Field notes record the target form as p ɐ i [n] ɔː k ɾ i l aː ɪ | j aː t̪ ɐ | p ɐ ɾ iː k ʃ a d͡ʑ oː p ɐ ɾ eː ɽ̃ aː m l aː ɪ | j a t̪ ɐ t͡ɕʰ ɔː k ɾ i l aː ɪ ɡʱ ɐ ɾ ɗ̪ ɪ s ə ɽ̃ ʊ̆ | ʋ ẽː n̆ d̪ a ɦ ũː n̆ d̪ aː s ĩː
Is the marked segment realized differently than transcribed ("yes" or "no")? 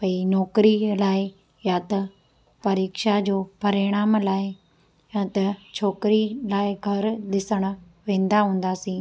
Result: no